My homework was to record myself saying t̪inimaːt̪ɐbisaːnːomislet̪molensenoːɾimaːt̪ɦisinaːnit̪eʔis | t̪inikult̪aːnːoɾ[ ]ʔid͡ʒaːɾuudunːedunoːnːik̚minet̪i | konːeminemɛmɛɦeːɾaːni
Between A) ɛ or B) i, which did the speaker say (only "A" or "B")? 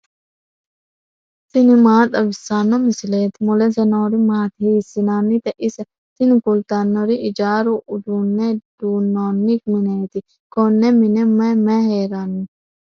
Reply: B